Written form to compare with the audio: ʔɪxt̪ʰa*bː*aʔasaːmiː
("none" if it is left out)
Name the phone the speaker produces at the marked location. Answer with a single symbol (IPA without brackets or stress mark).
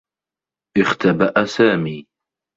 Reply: b